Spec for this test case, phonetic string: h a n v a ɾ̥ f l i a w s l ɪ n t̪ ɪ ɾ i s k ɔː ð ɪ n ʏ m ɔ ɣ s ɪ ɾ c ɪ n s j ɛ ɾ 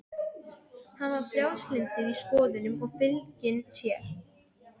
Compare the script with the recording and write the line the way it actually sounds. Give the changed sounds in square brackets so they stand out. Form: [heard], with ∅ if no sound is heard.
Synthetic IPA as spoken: h a n v a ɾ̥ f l [j] a w s l ɪ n t̪ ɪ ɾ i s k ɔː ð ɪ n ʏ m ɔ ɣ [f] ɪ [l] c ɪ n s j ɛ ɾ